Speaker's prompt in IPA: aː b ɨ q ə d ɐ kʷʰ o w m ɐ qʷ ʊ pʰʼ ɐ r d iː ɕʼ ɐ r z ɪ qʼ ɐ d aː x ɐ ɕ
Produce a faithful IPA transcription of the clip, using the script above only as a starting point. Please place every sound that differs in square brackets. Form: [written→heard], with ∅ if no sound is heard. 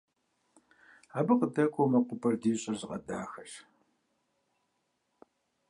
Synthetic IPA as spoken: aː b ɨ q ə d ɐ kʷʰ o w m ɐ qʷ ʊ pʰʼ ɐ r d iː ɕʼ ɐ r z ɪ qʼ ɐ d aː x ɐ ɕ